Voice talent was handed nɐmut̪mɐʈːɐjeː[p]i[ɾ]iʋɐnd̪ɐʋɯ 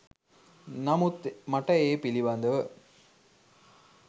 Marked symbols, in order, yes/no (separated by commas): yes, no